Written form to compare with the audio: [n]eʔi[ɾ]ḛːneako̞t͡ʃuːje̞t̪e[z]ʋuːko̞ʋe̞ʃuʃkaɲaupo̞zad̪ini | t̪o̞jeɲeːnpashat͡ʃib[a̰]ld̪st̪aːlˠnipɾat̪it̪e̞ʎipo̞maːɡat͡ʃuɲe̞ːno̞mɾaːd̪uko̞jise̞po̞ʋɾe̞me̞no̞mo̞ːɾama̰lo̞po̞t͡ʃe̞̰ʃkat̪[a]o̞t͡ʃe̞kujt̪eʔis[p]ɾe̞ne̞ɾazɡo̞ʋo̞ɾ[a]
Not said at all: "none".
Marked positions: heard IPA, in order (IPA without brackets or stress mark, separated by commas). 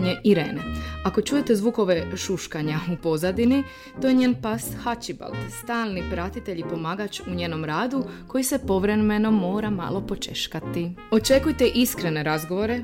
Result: ɲ, ɾ, z, a̰, i, k, e